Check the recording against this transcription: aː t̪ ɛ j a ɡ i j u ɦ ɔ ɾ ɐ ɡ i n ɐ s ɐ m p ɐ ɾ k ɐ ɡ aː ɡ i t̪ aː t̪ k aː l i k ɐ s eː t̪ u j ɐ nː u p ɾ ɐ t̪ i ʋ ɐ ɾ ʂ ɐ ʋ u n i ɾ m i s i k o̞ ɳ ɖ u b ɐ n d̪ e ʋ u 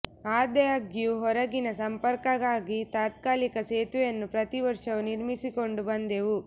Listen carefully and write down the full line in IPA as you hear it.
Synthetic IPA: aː d̪ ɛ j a ɡ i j u ɦ ɔ ɾ ɐ ɡ i n ɐ s ɐ m p ɐ ɾ k ɐ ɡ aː ɡ i t̪ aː t̪ k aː l i k ɐ s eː t̪ u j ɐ nː u p ɾ ɐ t̪ i ʋ ɐ ɾ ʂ ɐ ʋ u n i ɾ m i s i k o̞ ɳ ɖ u b ɐ n d̪ e ʋ u